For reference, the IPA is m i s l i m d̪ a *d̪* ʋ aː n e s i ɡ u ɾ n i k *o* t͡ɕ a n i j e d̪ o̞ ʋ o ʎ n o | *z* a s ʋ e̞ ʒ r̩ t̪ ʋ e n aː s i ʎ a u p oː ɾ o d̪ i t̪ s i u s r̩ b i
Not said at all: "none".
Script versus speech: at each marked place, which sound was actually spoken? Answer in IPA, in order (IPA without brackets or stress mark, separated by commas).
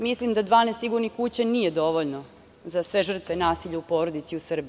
d̪, u, z